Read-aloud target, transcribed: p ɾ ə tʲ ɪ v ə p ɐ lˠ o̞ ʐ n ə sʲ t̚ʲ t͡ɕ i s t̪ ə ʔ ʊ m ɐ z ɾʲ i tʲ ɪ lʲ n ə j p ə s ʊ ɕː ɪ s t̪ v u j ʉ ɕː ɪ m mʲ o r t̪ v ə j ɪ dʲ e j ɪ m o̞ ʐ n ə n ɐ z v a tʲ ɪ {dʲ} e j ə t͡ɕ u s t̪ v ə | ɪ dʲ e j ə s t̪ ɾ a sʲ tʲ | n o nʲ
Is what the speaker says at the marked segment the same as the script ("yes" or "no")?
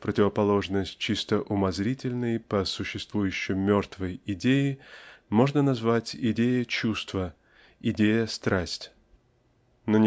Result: yes